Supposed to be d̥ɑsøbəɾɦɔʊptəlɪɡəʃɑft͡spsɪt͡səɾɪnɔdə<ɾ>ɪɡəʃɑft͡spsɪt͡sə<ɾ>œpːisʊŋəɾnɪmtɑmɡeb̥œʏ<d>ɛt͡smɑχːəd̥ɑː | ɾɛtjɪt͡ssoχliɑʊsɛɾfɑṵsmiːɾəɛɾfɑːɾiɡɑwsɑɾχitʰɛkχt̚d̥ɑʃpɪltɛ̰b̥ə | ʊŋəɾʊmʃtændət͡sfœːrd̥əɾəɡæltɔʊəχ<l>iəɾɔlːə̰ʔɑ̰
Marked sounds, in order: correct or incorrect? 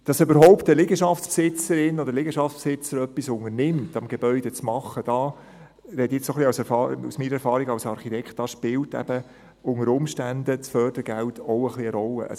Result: incorrect: l, correct, correct, correct

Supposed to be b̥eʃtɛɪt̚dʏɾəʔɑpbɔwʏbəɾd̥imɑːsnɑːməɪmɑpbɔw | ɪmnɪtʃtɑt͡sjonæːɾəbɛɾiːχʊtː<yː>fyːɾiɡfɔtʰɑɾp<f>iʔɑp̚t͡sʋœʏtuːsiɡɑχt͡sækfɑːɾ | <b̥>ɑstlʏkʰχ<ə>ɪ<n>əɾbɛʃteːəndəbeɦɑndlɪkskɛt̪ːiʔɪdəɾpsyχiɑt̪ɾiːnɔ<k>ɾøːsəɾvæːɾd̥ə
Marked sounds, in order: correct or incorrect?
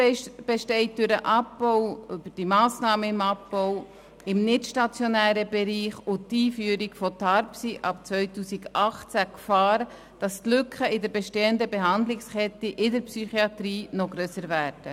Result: incorrect: iː, incorrect: s, incorrect: d̥, correct, incorrect: d, incorrect: ɡ

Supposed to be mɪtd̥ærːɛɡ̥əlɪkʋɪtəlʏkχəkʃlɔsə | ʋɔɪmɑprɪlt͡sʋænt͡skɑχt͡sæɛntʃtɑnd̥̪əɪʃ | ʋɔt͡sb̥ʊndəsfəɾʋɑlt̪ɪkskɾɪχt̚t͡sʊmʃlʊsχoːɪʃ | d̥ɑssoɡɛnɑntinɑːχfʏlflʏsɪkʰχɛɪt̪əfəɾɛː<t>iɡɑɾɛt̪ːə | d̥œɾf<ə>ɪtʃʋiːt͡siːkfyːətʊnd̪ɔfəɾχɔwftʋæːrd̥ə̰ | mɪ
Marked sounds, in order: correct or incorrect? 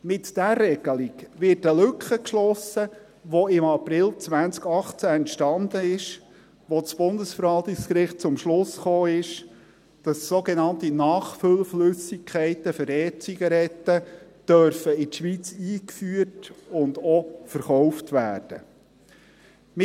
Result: incorrect: t͡s, correct

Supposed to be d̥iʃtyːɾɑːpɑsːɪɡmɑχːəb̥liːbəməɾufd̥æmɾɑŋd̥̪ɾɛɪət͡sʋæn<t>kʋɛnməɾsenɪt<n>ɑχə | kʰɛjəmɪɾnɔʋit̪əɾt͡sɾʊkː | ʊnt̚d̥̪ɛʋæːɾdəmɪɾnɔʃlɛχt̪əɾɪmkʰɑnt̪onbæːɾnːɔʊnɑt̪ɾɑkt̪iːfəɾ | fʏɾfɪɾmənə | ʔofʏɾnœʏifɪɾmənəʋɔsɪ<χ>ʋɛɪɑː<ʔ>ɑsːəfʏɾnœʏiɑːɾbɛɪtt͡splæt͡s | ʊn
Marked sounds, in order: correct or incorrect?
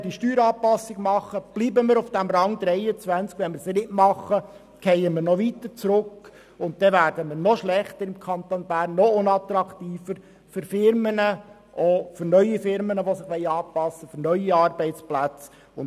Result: incorrect: t͡s, incorrect: m, correct, incorrect: p

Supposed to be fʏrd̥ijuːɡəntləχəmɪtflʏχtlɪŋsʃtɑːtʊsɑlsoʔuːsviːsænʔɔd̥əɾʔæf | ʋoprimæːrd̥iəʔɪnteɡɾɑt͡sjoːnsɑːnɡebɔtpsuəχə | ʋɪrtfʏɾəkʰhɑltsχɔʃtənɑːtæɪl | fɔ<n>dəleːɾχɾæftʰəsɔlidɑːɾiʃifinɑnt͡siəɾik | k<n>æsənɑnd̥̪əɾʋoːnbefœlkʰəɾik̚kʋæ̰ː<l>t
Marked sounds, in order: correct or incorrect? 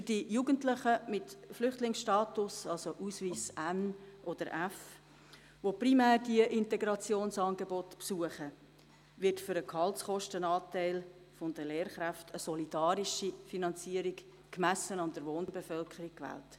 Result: correct, incorrect: m, correct

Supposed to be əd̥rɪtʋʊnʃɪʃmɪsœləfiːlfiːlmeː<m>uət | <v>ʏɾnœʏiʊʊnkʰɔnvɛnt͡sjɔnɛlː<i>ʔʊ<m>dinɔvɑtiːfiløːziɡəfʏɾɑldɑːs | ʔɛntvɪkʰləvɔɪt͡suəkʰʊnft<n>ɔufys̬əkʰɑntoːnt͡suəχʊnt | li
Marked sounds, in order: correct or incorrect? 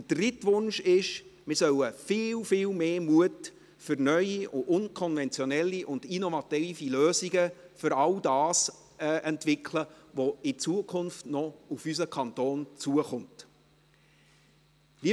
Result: correct, incorrect: f, correct, incorrect: n, correct

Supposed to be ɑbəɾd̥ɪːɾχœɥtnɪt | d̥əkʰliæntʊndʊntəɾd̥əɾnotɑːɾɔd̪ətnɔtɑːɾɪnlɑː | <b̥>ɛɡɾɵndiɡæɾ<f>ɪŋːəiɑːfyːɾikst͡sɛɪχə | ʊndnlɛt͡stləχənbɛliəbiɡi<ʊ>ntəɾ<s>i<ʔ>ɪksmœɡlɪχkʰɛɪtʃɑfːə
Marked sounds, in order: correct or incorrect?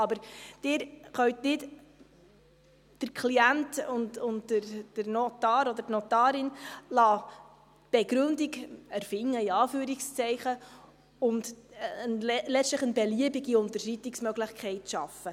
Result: correct, correct, correct, incorrect: ʃ, incorrect: t

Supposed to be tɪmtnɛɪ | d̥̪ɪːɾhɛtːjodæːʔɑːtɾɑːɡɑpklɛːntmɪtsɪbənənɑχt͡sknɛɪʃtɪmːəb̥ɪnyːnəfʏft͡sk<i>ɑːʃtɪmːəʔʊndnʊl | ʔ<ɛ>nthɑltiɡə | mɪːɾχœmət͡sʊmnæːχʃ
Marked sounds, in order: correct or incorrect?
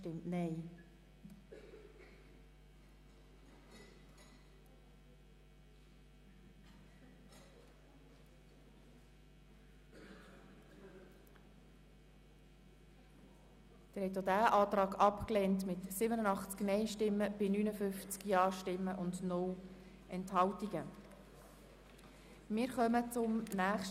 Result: incorrect: j, correct

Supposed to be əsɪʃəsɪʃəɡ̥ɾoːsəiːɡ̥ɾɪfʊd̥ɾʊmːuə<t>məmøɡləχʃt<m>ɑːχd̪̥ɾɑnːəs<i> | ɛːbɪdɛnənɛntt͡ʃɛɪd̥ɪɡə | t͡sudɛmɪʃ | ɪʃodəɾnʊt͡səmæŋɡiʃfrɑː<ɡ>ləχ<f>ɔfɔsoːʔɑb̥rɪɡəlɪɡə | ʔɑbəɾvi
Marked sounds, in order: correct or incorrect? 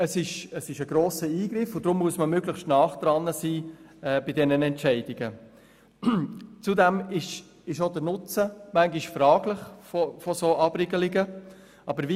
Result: incorrect: s, incorrect: n, incorrect: iː, correct, correct

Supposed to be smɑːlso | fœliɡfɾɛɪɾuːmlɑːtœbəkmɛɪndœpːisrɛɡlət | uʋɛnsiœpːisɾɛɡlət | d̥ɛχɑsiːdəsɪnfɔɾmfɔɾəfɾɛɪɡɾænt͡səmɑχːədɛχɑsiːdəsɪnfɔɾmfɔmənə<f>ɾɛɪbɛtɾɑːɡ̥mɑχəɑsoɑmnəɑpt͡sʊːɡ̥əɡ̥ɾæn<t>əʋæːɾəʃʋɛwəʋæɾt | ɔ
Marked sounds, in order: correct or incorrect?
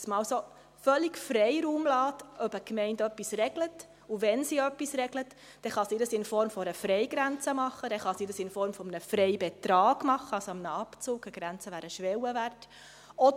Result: correct, incorrect: t͡s

